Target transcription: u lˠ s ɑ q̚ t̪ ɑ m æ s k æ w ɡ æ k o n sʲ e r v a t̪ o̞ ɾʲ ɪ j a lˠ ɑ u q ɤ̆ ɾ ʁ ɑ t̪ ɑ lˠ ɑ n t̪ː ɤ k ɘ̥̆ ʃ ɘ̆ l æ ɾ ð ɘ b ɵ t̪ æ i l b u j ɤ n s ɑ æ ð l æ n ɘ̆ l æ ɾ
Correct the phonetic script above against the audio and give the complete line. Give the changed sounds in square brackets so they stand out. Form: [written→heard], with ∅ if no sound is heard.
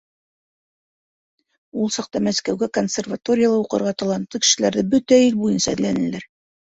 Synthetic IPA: u lˠ s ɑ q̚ t̪ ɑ m æ s k æ w ɡ æ k o n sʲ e r v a t̪ o̞ ɾʲ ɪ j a lˠ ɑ u q ɤ̆ ɾ ʁ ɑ t̪ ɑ lˠ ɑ n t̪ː ɤ k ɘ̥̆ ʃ ɘ̆ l æ ɾ ð ɘ b ɵ t̪ æ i l b u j ɤ n s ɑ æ ð l æ n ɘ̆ l æ ɾ